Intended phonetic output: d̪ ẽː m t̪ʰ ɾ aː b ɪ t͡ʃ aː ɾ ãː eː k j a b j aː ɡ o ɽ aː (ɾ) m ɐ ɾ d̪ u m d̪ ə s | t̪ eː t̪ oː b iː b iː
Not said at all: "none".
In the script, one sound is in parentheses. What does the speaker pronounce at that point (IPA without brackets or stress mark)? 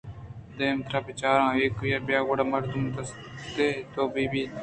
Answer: none